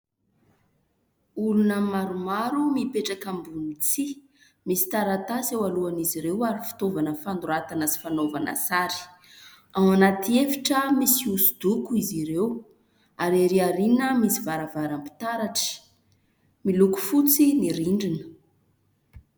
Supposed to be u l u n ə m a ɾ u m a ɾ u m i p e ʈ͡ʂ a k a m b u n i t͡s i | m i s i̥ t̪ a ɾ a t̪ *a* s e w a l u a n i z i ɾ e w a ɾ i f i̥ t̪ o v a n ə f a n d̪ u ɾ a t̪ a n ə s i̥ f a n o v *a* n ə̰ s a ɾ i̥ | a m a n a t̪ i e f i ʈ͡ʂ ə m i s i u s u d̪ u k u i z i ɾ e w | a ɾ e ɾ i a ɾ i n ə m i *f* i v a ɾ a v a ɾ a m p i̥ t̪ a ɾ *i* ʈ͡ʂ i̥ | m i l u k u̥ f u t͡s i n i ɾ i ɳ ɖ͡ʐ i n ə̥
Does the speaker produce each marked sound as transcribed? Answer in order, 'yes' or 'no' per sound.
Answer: yes, yes, no, no

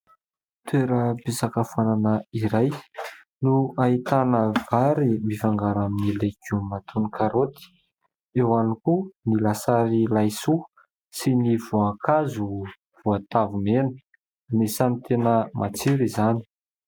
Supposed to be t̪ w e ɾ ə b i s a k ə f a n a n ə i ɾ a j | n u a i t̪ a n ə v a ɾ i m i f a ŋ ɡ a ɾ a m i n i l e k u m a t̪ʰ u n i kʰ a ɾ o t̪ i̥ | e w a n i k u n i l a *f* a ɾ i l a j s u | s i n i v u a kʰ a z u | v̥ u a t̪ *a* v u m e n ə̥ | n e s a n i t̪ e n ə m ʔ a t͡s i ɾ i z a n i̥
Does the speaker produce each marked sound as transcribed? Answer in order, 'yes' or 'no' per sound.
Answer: no, yes

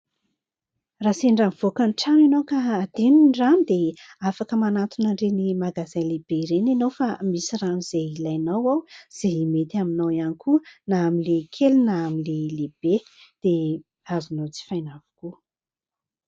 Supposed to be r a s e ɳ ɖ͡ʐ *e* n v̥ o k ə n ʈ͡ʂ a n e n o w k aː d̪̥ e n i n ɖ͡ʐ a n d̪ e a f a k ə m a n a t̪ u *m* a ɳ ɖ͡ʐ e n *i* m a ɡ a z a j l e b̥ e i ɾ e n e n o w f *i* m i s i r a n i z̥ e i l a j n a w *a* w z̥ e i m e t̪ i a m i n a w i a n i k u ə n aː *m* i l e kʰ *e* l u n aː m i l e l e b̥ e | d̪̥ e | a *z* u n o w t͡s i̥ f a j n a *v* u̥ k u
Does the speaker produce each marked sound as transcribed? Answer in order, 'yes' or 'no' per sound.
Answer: no, no, yes, no, yes, yes, yes, yes, yes

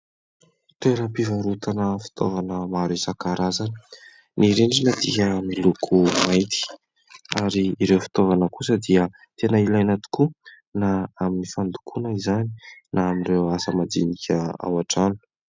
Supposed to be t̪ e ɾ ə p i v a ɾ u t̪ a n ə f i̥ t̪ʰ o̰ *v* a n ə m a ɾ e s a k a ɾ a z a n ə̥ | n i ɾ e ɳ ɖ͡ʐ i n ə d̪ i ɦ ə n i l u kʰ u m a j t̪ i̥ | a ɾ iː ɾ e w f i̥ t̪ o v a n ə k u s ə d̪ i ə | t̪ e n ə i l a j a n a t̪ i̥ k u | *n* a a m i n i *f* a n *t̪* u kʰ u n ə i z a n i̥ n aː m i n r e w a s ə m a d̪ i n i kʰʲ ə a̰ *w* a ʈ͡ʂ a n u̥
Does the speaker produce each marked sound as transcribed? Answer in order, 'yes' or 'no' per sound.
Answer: yes, yes, yes, no, yes

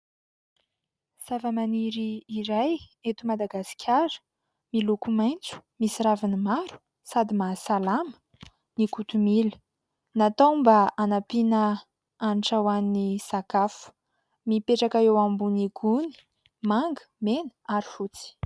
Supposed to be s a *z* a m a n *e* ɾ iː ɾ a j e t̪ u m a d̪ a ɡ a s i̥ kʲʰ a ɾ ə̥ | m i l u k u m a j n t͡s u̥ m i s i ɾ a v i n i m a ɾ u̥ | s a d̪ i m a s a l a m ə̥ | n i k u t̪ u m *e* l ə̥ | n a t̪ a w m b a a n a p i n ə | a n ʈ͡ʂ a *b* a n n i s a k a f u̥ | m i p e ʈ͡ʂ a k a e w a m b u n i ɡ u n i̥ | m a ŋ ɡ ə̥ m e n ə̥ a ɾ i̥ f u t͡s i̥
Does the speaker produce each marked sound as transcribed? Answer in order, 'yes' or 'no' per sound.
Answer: no, no, no, no

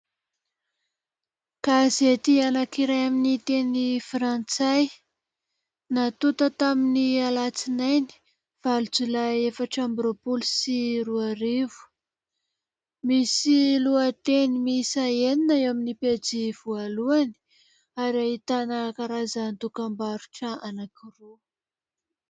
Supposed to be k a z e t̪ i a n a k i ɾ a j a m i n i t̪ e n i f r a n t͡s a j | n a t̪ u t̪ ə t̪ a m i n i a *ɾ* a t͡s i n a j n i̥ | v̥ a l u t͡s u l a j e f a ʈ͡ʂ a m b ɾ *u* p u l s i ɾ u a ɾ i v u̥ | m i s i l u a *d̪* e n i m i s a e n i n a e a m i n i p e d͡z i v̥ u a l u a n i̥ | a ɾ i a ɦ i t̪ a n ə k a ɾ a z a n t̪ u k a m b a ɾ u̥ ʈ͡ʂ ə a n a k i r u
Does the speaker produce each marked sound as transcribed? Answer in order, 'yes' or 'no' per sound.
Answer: no, no, no

